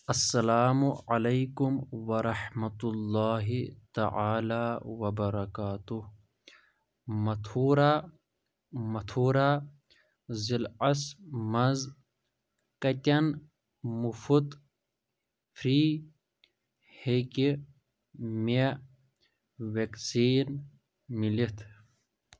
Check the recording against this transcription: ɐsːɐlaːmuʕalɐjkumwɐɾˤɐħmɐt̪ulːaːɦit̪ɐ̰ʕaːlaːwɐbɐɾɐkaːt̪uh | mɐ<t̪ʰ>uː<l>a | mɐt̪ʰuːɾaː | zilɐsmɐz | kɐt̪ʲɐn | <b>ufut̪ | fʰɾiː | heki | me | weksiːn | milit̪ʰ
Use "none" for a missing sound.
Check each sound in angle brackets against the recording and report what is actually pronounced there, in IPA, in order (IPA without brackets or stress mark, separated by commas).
t̪ʰ, ɾ, m